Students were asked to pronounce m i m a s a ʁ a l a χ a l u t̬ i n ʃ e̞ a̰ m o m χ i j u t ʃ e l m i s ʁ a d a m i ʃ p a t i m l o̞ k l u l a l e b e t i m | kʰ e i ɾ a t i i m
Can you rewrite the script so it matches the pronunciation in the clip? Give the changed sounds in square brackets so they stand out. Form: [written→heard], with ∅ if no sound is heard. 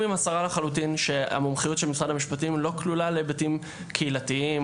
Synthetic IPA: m i m a s a ʁ a l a χ a l u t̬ i n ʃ e̞ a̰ m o m χ i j u t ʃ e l m i s ʁ a d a m i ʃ p a t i m l o̞ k l u l a l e b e t i m | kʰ e i [ɾ→l] a t i i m